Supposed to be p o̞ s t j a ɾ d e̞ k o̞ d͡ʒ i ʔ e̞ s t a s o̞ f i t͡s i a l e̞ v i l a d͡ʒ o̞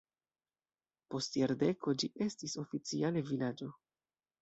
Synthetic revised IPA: p o̞ s t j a ɾ d e̞ k o̞ d͡ʒ i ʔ e̞ s t i s o̞ f i t͡s i a l e̞ v i l a d͡ʒ o̞

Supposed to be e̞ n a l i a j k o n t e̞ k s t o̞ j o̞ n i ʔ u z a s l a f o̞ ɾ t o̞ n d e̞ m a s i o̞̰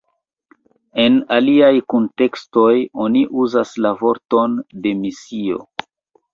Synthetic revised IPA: e̞ n a l i a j k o n t e̞ k s t o̞ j o̞ n i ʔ u z a s l a v o̞ ɾ t o̞ n d e̞ m i s i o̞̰

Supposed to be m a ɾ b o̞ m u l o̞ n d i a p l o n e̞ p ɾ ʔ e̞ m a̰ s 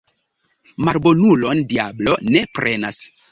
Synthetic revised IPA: m a ɾ b o̞ n u l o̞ n d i a b l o n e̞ p ɾ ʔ e̞ n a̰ s

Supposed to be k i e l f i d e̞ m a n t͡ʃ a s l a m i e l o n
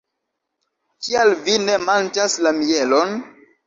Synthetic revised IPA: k i a l v i n e̞ m a n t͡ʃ a s l a m i e l o n

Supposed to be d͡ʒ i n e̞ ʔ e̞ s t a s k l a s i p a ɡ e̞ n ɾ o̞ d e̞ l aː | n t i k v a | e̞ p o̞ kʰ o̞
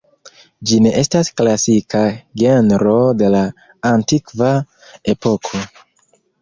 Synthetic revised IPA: d͡ʒ i n e̞ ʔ e̞ s t a s k l a s i k a ɡ e̞ n ɾ o̞ d e̞ l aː | n t i k v a | e̞ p o̞ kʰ o̞

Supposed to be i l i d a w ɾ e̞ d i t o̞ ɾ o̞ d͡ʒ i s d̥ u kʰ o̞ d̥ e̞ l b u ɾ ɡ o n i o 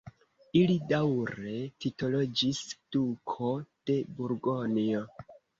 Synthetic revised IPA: i l i d a w ɾ e̞ t i t o̞ l o̞ d͡ʒ i s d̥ u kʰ o̞ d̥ e̞ b u ɾ ɡ o n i o

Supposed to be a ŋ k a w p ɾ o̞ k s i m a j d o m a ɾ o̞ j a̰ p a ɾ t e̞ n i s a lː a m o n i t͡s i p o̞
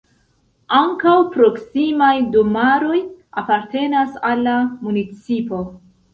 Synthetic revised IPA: a ŋ k a w p ɾ o̞ k s i m a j d o m a ɾ o̞ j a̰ p a ɾ t e̞ n a s a lː a m u n i t͡s i p o̞

